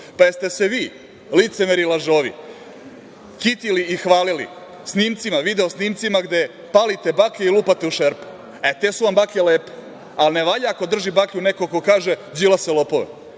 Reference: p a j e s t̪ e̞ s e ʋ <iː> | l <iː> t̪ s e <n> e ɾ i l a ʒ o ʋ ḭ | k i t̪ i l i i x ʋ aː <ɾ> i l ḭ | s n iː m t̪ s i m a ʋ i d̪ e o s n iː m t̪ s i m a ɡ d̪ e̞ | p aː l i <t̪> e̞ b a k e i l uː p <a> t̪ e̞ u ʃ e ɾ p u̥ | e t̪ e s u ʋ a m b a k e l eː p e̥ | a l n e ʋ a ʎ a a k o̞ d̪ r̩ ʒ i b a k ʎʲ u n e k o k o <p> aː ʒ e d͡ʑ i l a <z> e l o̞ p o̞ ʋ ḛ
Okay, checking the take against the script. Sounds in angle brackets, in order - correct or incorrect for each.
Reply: correct, incorrect, incorrect, incorrect, correct, correct, incorrect, incorrect

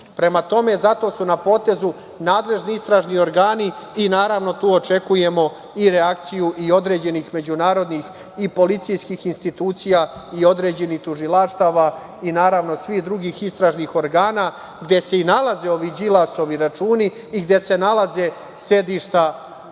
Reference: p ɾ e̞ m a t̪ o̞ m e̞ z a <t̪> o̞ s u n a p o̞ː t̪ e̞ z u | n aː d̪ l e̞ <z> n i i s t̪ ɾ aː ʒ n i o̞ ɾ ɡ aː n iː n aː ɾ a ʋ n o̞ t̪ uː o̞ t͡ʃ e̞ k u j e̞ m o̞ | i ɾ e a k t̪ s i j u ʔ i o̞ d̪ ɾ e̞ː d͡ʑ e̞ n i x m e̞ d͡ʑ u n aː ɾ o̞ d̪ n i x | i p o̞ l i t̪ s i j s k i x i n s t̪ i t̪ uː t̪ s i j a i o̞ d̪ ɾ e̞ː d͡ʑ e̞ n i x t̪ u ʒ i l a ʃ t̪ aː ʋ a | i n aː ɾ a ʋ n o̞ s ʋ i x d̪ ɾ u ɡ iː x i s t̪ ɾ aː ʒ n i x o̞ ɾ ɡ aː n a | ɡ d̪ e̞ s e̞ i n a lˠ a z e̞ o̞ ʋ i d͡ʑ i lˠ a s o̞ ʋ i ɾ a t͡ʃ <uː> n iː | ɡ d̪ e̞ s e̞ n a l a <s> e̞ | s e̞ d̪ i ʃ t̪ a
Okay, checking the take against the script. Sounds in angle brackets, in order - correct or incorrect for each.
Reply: correct, incorrect, correct, incorrect

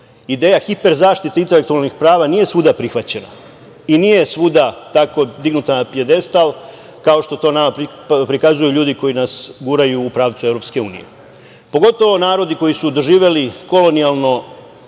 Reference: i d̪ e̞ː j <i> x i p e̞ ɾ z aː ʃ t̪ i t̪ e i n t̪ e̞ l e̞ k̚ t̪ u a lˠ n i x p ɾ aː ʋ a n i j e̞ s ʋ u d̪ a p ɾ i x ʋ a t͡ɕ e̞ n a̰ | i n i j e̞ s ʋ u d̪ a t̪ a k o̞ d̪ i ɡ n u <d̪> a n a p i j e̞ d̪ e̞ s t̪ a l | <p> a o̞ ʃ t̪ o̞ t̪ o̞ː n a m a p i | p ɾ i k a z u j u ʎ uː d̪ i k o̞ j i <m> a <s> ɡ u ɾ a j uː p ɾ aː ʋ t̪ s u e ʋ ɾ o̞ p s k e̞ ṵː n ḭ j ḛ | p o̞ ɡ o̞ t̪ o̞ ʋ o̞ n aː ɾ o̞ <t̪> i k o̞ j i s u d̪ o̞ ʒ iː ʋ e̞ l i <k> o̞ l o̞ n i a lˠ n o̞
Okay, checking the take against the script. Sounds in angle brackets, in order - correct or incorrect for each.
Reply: incorrect, incorrect, incorrect, incorrect, correct, incorrect, correct

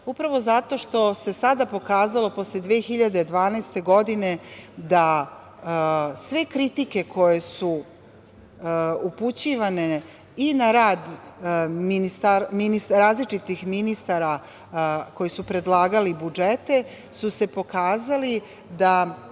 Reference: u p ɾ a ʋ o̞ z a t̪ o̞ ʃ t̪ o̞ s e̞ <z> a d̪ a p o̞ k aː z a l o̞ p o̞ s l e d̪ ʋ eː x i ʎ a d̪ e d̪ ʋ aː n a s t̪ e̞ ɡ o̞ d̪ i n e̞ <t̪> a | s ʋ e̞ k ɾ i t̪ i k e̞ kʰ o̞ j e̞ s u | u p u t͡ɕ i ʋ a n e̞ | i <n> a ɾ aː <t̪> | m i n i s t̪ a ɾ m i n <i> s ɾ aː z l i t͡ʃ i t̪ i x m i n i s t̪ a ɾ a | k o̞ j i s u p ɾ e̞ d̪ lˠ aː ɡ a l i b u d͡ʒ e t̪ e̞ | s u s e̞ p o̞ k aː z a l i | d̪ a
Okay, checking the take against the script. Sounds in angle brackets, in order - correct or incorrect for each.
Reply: incorrect, incorrect, correct, incorrect, correct

